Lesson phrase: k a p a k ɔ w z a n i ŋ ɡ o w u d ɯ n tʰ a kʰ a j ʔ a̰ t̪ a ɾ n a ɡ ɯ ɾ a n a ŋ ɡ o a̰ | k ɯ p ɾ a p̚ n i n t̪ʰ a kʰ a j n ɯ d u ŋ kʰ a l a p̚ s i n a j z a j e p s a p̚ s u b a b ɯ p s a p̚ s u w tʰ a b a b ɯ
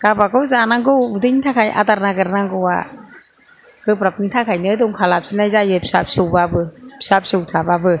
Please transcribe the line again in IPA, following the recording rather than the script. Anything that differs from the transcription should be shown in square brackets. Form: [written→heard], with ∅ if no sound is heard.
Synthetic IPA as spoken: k a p a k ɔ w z a n [i→a] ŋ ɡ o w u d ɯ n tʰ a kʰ a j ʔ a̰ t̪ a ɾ n a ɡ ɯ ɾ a n a ŋ ɡ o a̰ | k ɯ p ɾ a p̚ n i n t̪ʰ a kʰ a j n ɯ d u ŋ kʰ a l a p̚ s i n a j z a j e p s a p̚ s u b a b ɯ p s a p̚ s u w tʰ a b a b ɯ